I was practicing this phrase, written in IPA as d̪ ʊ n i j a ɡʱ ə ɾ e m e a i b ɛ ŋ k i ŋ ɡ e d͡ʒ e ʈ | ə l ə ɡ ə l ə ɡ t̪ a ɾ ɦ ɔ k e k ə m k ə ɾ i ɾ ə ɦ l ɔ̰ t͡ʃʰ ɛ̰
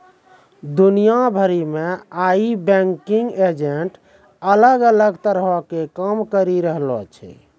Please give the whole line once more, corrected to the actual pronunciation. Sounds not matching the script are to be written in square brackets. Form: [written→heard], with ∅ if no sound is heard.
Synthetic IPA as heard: d̪ [ʊ→u] n i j a [ɡʱ→bʱ] ə ɾ [e→i] m e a i b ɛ ŋ k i ŋ ɡ e d͡ʒ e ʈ | ə l ə ɡ ə l ə ɡ t̪ [a→ə] ɾ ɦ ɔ k e k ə m k ə ɾ i ɾ ə ɦ l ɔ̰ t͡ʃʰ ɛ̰